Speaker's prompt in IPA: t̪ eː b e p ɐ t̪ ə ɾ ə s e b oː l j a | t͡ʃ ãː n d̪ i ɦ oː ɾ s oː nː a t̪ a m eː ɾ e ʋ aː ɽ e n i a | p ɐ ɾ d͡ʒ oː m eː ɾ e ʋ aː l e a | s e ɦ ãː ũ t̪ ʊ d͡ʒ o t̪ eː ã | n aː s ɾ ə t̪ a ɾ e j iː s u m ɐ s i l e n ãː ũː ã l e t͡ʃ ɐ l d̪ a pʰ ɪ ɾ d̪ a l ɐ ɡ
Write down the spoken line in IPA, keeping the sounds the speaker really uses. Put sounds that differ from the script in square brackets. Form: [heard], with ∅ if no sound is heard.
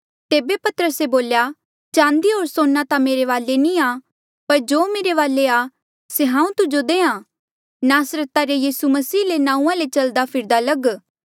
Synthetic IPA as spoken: t̪ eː b e p ɐ t̪ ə ɾ ə s e b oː l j a | t͡ʃ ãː n d̪ i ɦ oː ɾ s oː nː a t̪ a m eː ɾ e ʋ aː [l] e n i a | p ɐ ɾ d͡ʒ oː m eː ɾ e ʋ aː l e a | s e ɦ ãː ũ t̪ ʊ d͡ʒ o [d̪] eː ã | n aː s ɾ ə t̪ a ɾ e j iː s u m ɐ s [iː] l e n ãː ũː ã l e t͡ʃ ɐ l d̪ a pʰ ɪ ɾ d̪ a l ɐ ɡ